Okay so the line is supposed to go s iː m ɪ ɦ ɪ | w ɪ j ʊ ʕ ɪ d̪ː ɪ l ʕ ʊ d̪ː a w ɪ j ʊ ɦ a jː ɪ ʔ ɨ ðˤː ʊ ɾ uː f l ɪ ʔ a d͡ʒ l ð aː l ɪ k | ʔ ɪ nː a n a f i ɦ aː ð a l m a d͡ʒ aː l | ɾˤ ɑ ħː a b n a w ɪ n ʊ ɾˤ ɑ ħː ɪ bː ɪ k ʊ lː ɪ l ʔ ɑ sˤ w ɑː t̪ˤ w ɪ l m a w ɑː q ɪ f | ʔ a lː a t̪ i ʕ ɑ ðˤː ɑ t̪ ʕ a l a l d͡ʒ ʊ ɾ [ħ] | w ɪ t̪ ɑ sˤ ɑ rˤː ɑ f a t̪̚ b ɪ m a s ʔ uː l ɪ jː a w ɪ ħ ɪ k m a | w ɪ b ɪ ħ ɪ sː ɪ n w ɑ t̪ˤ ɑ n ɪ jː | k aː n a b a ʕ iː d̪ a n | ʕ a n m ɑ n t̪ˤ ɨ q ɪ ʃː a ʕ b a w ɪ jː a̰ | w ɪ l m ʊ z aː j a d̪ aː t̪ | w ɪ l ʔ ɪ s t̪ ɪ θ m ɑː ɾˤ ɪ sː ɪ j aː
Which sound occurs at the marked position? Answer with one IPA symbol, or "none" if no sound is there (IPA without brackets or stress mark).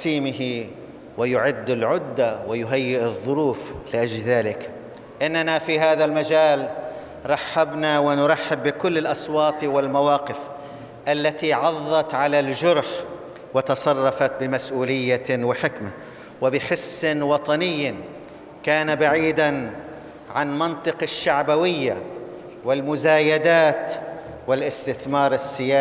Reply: ħ